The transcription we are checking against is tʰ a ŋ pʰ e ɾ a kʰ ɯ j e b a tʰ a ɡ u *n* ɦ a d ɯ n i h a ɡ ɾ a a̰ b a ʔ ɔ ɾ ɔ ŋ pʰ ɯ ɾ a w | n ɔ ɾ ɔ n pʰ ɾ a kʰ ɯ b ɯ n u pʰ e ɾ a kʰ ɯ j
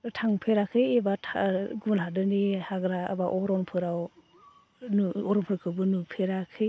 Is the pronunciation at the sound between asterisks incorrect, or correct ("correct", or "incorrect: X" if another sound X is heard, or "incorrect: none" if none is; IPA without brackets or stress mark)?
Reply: correct